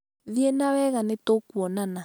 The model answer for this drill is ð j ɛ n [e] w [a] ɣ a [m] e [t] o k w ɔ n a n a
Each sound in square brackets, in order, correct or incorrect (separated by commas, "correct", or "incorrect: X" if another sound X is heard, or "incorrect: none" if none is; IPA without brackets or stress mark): incorrect: a, incorrect: ɛ, incorrect: n, correct